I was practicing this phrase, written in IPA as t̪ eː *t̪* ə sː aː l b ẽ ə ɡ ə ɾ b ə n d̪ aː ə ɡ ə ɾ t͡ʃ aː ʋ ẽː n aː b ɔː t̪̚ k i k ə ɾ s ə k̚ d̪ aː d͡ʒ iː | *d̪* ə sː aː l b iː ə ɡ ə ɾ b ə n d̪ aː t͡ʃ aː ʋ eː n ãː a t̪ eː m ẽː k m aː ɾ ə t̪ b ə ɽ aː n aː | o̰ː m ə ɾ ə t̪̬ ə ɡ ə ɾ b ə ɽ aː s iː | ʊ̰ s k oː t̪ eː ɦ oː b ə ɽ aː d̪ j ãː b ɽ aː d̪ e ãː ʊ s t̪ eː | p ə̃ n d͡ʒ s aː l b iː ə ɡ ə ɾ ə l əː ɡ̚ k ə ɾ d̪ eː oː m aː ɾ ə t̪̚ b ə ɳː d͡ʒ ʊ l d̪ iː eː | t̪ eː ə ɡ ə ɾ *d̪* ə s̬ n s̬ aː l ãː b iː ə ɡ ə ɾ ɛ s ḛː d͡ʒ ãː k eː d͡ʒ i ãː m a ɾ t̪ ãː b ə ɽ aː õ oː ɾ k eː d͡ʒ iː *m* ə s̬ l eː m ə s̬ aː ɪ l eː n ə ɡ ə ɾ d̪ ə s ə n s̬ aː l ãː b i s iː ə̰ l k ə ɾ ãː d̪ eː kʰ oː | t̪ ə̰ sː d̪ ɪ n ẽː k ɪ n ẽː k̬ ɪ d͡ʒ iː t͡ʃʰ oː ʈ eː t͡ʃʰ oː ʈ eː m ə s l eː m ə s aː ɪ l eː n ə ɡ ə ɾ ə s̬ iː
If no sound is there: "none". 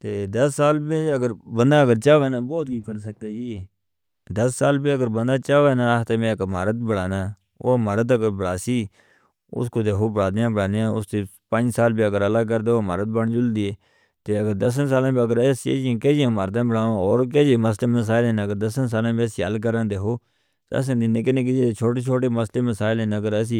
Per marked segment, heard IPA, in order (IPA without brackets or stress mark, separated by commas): d̪, d̪, d̪, m